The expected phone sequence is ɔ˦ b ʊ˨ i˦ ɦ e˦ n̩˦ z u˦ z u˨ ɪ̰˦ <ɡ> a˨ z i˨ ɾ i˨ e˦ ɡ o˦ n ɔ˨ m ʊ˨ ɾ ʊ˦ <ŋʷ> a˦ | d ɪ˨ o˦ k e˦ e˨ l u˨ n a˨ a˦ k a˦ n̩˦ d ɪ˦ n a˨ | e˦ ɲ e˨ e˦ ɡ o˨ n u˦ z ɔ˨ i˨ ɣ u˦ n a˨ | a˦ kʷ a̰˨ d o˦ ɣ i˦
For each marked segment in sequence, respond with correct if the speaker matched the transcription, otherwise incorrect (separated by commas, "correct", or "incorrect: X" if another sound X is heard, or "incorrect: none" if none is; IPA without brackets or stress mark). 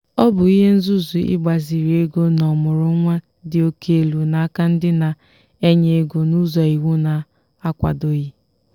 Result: incorrect: ɡ͡b, correct